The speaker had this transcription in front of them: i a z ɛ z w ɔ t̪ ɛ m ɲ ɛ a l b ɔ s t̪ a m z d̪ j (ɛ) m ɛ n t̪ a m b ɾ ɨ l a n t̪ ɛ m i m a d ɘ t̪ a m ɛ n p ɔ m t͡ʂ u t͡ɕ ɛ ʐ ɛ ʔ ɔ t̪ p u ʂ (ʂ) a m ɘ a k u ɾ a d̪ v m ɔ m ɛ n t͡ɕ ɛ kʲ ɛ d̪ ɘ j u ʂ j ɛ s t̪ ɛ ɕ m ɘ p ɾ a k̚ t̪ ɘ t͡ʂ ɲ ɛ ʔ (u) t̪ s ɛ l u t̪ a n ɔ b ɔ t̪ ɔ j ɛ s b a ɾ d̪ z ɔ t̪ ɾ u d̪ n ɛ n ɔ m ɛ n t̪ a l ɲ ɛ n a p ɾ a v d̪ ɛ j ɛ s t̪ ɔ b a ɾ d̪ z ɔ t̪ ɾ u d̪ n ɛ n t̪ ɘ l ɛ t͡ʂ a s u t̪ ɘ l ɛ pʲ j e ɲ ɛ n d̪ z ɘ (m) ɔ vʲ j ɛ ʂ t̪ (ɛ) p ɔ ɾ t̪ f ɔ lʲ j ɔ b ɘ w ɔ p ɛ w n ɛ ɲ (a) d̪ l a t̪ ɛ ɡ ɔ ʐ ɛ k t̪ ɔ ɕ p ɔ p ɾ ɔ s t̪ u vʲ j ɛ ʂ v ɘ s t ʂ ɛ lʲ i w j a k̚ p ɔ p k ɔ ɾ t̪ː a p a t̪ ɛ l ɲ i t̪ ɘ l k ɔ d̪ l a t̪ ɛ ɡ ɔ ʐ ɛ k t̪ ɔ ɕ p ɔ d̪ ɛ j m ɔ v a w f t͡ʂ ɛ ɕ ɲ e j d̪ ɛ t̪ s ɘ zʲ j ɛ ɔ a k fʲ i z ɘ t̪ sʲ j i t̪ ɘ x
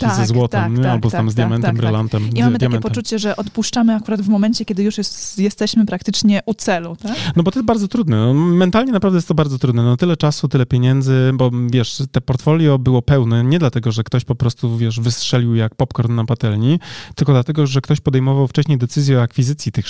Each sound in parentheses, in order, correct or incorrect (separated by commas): incorrect, incorrect, correct, incorrect, correct, incorrect